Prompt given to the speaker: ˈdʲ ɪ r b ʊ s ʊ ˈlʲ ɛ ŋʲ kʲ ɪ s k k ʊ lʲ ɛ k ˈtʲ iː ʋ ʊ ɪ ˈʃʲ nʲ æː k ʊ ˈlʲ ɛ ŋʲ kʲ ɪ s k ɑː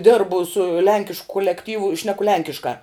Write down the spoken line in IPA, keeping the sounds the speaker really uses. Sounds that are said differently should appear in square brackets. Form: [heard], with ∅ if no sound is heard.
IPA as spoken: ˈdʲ ɪ r b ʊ s ʊ ˈlʲ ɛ ŋʲ kʲ ɪ [ʃ] k k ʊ lʲ ɛ k ˈtʲ iː ʋ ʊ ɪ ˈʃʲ nʲ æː k ʊ ˈlʲ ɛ ŋʲ kʲ ɪ [ʃ] k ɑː